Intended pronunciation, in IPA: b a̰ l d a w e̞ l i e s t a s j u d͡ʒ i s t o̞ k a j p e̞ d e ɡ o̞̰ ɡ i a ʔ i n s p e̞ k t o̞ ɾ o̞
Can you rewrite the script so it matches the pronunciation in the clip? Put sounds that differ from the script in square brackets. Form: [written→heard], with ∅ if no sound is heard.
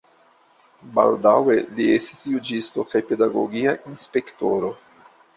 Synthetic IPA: b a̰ l d a w e̞ l i e s t [a→i] s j u d͡ʒ i s t o̞ k a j p e̞ d [e→a] ɡ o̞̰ ɡ i a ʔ i n s p e̞ k t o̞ ɾ o̞